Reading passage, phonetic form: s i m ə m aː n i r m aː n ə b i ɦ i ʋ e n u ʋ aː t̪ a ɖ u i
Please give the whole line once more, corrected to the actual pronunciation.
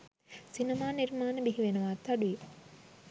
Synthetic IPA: s i n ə m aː n i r m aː n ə b i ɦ i ʋ e n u ʋ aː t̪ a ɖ u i